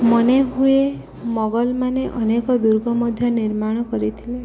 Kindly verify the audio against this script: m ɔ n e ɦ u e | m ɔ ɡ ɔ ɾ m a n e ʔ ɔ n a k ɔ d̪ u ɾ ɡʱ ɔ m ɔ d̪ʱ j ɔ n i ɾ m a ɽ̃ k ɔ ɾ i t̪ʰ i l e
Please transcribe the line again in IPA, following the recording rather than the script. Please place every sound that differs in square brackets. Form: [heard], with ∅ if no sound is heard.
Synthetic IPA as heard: m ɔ n e ɦ u e | m ɔ ɡ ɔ [l] m a n e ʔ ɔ n [e] k ɔ d̪ u ɾ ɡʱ ɔ m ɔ d̪ʱ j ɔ n i ɾ m a ɽ̃ k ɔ ɾ i t̪ʰ i l e